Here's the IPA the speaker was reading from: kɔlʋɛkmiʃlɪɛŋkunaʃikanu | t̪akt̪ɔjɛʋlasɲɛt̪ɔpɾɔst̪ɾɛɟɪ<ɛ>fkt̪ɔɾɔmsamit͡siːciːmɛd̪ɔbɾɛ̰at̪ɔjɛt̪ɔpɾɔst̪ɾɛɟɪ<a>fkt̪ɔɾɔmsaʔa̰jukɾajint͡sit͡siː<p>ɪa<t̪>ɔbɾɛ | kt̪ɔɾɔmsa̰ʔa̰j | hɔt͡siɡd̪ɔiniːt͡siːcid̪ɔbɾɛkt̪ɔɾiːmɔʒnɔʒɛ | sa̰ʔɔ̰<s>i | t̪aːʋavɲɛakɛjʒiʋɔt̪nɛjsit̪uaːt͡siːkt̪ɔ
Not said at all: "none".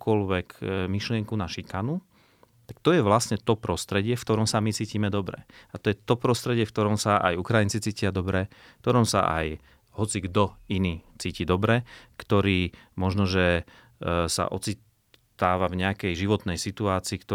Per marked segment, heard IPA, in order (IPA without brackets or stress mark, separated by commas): ɛ, ɛ, c, d̪, t͡s